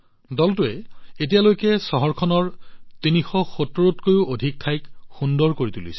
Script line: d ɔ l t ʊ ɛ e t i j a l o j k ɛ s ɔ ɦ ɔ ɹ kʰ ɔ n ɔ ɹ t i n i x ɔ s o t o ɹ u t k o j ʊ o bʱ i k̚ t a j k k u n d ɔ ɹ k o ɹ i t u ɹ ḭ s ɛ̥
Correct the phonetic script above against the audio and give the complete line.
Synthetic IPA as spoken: d ɔ l t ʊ ɛ e t i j a l o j k ɛ s ɔ ɦ ɔ ɹ kʰ ɔ n ɔ ɹ t i n i x ɔ x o t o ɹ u t k o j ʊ o dʱ i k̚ tʰ a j k x u n d ɔ ɹ k o ɹ i t u l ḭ s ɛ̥